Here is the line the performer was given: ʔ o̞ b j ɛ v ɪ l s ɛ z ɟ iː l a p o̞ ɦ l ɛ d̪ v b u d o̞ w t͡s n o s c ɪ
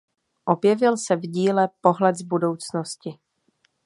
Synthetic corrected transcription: ʔ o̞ b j ɛ v ɪ l s ɛ v ɟ iː l ɛ p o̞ ɦ l ɛ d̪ z b u d o̞ w t͡s n o s c ɪ

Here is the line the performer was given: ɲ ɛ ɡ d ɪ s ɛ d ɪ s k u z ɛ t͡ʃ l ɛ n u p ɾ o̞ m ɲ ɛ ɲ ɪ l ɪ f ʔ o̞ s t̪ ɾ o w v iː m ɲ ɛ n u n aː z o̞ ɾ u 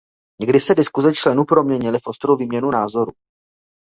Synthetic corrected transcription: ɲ ɛ ɡ d ɪ s ɛ d ɪ s k u z ɛ t͡ʃ l ɛ n u p ɾ o̞ m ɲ ɛ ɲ ɪ l ɪ f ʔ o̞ s t̪ ɾ o w v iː m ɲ ɛ n u n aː z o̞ ɾ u

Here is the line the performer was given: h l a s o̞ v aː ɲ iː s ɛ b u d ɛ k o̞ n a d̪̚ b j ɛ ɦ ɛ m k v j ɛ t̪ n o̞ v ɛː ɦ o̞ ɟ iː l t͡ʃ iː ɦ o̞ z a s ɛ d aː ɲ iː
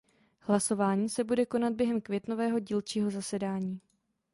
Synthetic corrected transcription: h l a s o̞ v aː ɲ iː s ɛ b u d ɛ k o̞ n a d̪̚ b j ɛ ɦ ɛ m k v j ɛ t̪ n o̞ v ɛː ɦ o̞ ɟ iː l t͡ʃ iː ɦ o̞ z a s ɛ d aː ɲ iː

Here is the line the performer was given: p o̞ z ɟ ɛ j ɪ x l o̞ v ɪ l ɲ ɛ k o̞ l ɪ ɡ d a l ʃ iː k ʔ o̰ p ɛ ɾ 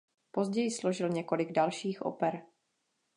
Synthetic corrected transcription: p o̞ z ɟ ɛ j ɪ s l o̞ ʒ ɪ l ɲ ɛ k o̞ l ɪ ɡ d a l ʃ iː x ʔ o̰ p ɛ ɾ

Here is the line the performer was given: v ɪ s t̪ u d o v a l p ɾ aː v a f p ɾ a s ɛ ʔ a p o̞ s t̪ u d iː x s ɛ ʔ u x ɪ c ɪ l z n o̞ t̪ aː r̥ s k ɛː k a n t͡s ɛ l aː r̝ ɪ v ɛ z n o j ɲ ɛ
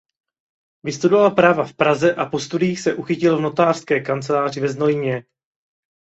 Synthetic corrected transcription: v ɪ s t̪ u d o v a l p ɾ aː v a f p ɾ a z ɛ ʔ a p o̞ s t̪ u d iː x s ɛ ʔ u x ɪ c ɪ l v n o̞ t̪ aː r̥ s k ɛː k a n t͡s ɛ l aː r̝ ɪ v ɛ z n o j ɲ ɛ

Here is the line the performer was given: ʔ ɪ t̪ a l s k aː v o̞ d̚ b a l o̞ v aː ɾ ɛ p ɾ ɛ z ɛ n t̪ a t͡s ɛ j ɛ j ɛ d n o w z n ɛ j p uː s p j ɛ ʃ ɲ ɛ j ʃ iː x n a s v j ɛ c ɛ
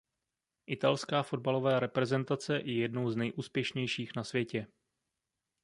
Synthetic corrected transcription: ʔ ɪ t̪ a l s k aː f o̞ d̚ b a l o̞ v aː ɾ ɛ p ɾ ɛ z ɛ n t̪ a t͡s ɛ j ɛ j ɛ d n o w z n ɛ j ʔ uː s p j ɛ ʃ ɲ ɛ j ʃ iː x n a s v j ɛ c ɛ

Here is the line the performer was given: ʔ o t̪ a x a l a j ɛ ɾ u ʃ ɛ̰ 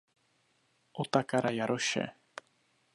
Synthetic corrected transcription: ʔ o t̪ a k a ɾ a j a ɾ o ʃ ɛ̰

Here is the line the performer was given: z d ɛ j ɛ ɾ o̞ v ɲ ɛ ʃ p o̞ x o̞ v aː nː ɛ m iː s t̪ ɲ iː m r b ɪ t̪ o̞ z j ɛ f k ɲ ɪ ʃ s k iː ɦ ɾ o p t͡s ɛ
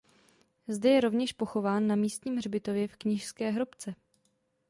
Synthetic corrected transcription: z d ɛ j ɛ ɾ o̞ v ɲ ɛ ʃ p o̞ x o̞ v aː nː a m iː s t̪ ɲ iː m r b ɪ t̪ o̞ v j ɛ f k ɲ ɪ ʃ s k ɛː ɦ ɾ o p t͡s ɛ

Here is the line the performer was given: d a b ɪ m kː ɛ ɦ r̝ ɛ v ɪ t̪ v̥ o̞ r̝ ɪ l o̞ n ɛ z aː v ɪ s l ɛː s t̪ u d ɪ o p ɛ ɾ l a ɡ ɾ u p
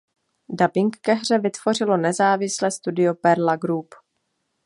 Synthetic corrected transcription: d a b ɪ ŋ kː ɛ ɦ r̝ ɛ v ɪ t̪ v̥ o̞ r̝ ɪ l o̞ n ɛ z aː v ɪ s l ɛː s t̪ u d ɪ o p ɛ ɾ l a ɡ ɾ u p

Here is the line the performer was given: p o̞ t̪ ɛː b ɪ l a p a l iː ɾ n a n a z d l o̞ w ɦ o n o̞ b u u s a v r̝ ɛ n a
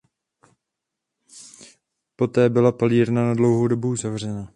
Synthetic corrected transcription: p o̞ t̪ ɛː b ɪ l a p a l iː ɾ n a n a d l o̞ w ɦ o d o̞ b u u z a v r̝ ɛ n a

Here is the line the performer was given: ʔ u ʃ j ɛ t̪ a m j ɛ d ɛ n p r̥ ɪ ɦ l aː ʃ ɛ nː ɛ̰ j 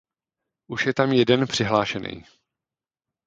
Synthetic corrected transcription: ʔ u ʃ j ɛ t̪ a m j ɛ d ɛ n p r̥ ɪ ɦ l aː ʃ ɛ n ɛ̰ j

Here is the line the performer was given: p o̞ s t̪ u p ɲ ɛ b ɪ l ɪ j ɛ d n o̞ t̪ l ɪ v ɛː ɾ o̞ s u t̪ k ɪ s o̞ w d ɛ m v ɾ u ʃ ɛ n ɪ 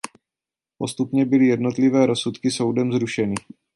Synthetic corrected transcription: p o̞ s t̪ u p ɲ ɛ b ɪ l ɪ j ɛ d n o̞ t̪ l ɪ v ɛː ɾ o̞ s u t̪ k ɪ s o̞ w d ɛ m z ɾ u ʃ ɛ n ɪ

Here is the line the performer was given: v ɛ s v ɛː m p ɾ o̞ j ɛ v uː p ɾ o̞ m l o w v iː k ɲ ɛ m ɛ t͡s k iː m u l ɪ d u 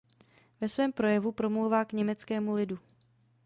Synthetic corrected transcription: v ɛ s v ɛː m p ɾ o̞ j ɛ v u p ɾ o̞ m l o w v aː k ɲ ɛ m ɛ t͡s k ɛː m u l ɪ d u

